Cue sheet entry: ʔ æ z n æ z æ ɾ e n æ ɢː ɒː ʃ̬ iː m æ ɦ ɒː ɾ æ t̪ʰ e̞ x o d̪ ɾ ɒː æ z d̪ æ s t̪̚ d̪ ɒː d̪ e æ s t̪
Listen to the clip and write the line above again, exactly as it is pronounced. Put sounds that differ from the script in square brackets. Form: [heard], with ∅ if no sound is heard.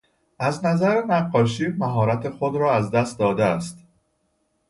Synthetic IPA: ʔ æ z n æ z æ ɾ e n æ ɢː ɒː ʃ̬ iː m æ ɦ ɒː ɾ æ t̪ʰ e̞ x o d̪ ɾ ɒː æ z d̪ æ s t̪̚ d̪ ɒː d̪ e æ s t̪